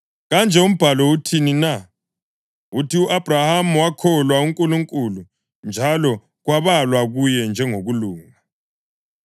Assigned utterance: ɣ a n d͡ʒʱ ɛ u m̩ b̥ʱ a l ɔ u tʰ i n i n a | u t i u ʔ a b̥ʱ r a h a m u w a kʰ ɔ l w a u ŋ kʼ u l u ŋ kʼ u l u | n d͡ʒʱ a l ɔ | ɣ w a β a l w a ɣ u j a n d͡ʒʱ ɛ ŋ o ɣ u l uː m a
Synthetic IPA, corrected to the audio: ɣ a n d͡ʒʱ ɛ u m̩ b̥ʱ a l ɔ u tʰ i n i n a | u t i u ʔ a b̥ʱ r a h a m u w a kʰ ɔ l w a u ŋ kʼ u l u ŋ kʼ u l u | n d͡ʒʱ a l ɔ | ɣ w a β a l w a ɣ u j ɛ n d͡ʒʱ ɛ ŋ o ɣ u l uː ŋ a